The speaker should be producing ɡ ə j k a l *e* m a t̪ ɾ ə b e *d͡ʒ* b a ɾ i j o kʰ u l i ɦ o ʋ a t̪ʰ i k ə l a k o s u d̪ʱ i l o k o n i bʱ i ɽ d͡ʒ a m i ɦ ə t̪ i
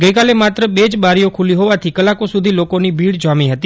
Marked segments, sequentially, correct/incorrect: correct, correct

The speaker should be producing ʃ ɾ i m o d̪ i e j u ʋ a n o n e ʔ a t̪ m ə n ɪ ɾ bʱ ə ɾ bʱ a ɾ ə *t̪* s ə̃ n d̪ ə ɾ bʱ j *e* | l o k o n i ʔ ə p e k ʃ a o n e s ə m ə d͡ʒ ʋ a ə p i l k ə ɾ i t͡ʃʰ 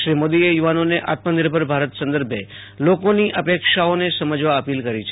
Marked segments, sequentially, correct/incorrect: correct, correct

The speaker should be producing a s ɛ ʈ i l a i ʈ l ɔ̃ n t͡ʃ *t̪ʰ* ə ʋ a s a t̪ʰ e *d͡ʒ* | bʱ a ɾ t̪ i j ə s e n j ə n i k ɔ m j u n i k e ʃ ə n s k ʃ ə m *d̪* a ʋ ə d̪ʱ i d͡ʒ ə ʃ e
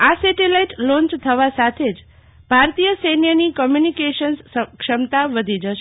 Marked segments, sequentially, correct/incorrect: correct, correct, incorrect: t̪

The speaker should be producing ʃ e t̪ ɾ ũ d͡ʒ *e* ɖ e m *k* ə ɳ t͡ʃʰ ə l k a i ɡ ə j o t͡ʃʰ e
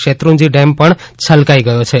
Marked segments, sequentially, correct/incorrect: incorrect: i, incorrect: p

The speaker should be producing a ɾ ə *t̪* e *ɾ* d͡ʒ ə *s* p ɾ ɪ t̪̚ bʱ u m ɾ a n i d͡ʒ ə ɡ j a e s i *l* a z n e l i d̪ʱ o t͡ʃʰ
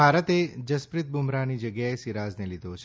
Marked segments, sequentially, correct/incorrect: correct, incorrect: none, correct, incorrect: ɾ

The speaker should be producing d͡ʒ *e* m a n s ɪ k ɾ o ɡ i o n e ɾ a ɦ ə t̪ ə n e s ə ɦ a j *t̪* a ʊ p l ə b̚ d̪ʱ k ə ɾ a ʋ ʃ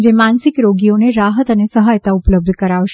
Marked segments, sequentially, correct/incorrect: correct, correct

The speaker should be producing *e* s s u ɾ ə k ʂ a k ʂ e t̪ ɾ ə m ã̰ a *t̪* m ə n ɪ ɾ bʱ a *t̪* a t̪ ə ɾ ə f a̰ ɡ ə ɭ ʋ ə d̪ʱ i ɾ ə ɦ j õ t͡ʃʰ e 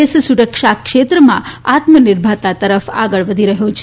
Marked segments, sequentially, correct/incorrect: correct, correct, correct

